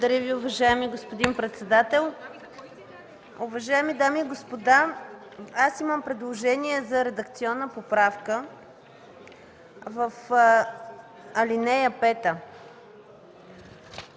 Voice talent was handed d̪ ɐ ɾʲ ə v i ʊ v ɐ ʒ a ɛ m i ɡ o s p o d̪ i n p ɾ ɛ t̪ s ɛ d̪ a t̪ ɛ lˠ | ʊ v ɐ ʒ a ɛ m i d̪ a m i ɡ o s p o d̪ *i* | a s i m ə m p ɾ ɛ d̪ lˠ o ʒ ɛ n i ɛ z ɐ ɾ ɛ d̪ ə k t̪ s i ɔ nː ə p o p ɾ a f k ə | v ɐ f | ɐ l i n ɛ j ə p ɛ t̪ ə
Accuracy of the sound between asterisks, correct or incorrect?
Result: incorrect